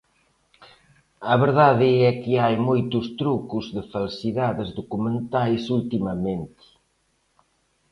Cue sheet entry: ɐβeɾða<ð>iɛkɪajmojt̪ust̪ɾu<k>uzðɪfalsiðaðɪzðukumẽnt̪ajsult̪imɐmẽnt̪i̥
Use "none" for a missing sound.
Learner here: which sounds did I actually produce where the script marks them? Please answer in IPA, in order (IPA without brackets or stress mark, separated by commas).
ð, k